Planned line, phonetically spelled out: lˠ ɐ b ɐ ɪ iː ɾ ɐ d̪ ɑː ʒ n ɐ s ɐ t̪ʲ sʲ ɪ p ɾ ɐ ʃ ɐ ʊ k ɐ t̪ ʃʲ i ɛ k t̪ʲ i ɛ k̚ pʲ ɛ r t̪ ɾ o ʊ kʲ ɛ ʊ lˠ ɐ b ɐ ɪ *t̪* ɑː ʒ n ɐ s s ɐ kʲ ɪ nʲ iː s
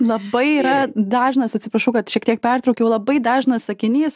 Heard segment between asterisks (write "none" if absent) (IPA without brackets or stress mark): d̪